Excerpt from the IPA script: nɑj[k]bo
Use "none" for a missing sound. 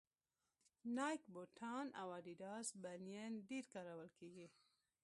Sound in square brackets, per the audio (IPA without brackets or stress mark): k